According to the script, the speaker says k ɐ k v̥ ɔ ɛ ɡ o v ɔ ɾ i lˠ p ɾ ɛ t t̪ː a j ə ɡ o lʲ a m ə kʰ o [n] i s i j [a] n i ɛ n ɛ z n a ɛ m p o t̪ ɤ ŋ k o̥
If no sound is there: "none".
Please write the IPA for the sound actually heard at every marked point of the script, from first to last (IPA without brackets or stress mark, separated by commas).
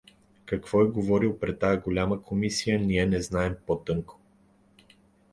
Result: m, ə